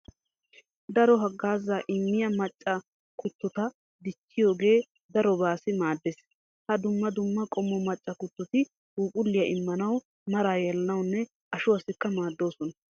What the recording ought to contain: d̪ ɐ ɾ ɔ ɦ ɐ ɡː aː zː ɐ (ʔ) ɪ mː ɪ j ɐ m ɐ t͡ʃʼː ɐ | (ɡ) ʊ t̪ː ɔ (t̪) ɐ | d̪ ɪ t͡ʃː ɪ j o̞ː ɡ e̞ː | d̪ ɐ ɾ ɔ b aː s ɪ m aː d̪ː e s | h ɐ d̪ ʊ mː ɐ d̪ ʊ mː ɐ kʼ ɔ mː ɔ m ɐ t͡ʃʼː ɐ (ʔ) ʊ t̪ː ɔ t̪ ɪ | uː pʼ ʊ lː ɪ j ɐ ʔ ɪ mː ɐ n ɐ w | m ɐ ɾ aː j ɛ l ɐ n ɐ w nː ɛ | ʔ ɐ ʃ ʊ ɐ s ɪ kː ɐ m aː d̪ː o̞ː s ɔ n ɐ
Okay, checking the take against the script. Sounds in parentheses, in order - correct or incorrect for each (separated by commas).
correct, incorrect, correct, incorrect